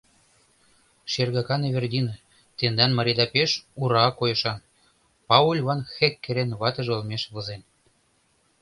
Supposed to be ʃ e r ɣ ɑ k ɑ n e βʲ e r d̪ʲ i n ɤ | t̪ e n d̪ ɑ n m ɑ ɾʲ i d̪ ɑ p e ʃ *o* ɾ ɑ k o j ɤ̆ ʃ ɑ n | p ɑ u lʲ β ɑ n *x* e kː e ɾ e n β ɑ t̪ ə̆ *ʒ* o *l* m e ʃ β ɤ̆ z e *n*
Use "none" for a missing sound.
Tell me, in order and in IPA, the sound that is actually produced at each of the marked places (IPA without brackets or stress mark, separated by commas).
u, x, ʒ, l, n